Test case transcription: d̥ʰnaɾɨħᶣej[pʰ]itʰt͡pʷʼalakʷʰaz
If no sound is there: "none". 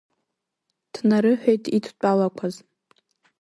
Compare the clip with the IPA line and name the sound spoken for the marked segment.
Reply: tʰ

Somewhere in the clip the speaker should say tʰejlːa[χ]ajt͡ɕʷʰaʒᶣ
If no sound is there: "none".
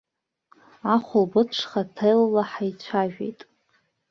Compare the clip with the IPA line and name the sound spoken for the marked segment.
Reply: ħ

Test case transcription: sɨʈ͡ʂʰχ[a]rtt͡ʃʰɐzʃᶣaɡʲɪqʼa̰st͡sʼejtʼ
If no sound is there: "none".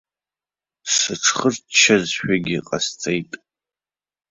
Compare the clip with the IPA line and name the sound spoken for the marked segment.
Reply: ə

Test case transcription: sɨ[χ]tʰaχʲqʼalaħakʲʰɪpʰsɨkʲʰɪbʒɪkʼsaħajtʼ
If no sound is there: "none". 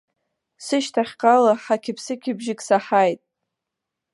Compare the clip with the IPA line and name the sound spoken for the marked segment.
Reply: ʃ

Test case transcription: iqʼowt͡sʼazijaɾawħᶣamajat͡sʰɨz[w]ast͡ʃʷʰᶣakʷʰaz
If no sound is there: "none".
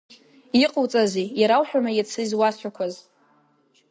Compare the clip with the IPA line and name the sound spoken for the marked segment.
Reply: w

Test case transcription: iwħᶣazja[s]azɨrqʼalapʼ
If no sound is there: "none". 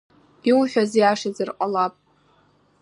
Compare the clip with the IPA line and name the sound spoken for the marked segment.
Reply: ʂ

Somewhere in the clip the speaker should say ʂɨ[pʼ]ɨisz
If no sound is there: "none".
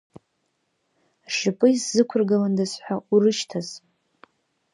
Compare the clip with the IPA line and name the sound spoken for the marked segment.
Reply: pʼ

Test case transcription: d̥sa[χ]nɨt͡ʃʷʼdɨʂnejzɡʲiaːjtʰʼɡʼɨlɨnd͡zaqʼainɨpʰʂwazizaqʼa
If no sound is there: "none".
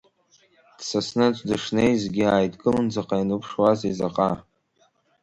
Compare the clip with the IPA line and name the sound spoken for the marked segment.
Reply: s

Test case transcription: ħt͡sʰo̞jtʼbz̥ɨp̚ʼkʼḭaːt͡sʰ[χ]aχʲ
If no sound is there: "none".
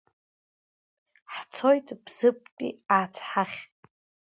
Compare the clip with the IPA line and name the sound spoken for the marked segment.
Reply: ħ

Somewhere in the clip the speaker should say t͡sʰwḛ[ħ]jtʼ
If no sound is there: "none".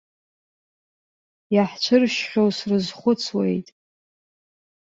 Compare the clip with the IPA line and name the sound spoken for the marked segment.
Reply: none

